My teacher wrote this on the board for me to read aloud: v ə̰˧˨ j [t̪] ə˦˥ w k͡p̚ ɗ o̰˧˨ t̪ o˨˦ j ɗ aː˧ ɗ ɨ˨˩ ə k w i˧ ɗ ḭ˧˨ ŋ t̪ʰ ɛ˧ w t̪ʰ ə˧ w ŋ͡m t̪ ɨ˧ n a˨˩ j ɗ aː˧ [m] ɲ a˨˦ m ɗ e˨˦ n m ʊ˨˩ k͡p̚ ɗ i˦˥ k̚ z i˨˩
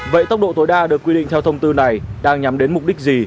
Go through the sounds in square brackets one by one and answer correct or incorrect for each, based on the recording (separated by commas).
correct, incorrect